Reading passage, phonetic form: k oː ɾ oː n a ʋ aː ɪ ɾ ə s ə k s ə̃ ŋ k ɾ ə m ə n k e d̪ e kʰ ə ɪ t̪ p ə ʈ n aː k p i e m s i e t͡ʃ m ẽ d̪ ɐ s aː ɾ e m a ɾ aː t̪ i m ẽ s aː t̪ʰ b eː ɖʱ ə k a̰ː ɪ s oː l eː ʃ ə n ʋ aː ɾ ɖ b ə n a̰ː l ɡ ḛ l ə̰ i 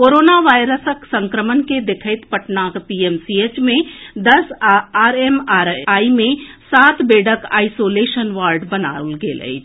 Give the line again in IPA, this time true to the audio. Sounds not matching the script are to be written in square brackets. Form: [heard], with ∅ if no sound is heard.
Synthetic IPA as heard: k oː ɾ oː n a ʋ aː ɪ ɾ ə s ə k s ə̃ ŋ k ɾ ə m ə n k e d̪ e kʰ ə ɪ t̪ p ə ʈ n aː k p i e m s i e t͡ʃ m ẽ d̪ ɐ s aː ɾ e m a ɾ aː [∅] i m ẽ s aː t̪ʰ b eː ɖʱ ə k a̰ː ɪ s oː l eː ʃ ə n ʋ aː ɾ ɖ b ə n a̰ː l ɡ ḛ l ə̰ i